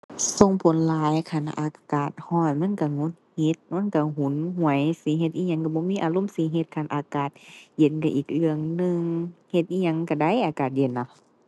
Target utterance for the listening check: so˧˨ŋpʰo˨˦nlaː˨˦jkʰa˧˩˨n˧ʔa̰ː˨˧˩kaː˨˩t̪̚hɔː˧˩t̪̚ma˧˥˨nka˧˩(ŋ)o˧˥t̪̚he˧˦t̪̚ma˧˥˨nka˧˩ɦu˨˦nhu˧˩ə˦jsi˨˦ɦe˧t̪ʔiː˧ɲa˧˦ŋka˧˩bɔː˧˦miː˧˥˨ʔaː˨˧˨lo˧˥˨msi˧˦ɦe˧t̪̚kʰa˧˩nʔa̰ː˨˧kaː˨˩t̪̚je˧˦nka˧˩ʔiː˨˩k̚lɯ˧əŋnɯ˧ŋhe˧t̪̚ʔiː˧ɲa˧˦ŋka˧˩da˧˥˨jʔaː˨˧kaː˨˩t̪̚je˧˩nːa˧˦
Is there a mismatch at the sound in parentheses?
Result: no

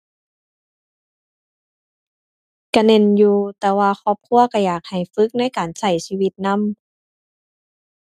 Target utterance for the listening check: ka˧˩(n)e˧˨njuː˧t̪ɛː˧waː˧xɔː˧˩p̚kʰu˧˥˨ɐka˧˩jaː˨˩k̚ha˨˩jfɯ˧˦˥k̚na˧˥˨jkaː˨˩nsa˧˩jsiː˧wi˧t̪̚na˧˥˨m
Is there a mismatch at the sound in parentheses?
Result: no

